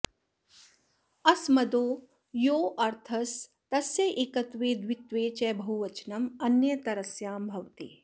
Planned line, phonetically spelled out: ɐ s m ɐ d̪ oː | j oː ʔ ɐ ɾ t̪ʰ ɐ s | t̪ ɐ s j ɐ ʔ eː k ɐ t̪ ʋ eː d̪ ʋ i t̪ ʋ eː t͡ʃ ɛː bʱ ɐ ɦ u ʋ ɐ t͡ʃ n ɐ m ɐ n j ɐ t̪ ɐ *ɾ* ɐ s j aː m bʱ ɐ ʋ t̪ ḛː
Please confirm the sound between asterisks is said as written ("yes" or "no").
yes